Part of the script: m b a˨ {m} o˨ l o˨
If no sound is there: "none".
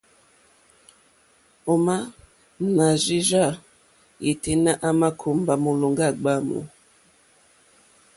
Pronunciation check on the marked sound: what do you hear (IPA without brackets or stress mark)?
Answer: m